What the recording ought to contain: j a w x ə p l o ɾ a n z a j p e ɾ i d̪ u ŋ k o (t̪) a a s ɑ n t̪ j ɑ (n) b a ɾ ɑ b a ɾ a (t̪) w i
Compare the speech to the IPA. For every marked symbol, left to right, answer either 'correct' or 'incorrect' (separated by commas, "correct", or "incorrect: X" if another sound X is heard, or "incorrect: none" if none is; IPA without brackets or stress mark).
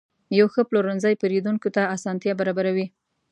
correct, incorrect: none, incorrect: none